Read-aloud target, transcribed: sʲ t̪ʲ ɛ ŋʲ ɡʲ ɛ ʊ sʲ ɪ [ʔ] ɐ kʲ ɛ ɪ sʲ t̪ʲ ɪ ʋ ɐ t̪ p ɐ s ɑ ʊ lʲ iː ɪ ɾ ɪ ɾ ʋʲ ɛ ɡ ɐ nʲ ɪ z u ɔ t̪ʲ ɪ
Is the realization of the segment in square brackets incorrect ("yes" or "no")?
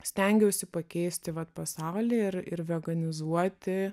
yes